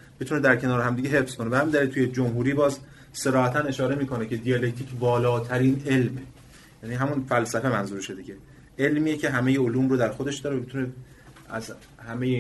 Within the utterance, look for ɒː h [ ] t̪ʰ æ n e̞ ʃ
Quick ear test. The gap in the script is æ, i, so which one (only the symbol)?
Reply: æ